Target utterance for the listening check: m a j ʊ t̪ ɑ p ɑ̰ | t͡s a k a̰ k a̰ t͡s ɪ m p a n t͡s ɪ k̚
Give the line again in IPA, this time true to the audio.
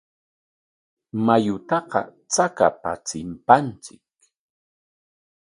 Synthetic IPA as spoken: m a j ʊ t̪ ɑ q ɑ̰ | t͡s a k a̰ p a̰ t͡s ɪ m p a n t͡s ɪ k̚